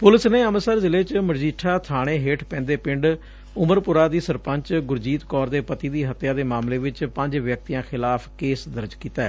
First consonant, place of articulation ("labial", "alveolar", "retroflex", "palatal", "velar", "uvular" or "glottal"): labial